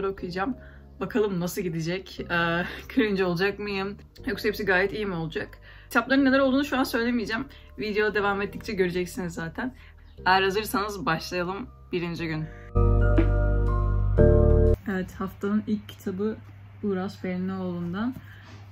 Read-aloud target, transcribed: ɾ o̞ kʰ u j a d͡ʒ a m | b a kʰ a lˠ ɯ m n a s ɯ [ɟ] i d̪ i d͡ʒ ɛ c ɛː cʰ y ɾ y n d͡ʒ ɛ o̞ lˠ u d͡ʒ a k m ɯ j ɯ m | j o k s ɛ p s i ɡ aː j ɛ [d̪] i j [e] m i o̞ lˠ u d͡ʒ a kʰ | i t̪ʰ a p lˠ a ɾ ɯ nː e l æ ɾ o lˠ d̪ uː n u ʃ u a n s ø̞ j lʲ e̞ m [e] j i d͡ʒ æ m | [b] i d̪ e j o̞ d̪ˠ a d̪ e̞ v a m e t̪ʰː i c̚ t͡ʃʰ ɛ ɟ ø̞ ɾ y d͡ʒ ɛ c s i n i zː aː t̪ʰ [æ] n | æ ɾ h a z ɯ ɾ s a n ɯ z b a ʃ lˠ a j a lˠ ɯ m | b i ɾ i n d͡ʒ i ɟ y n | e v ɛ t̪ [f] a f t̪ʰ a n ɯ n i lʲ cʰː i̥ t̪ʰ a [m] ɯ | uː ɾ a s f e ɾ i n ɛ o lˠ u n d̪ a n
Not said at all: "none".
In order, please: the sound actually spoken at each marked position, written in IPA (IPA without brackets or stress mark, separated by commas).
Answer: ɟ, t̪, i, i, v, æ, h, b